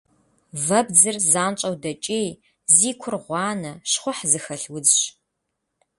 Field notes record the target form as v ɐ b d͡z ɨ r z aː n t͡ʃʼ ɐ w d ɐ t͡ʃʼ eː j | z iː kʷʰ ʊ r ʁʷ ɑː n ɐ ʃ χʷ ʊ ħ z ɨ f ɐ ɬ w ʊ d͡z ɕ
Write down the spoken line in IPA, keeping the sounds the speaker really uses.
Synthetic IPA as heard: v ɐ b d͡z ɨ r z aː n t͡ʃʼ ɐ w d ɐ t͡ʃʼ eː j | z iː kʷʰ ʊ r ʁʷ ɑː n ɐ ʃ χʷ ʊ ħ z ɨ x ɐ ɬ w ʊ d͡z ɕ